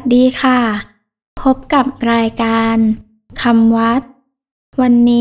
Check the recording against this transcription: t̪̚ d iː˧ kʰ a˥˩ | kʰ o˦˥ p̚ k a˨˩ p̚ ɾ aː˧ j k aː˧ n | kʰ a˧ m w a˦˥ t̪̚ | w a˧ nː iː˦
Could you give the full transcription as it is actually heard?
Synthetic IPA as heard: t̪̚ d iː˧ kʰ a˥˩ | pʰ o˦˥ p̚ k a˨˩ p̚ ɾ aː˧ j k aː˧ n | kʰ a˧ m w a˦˥ t̪̚ | w a˧ nː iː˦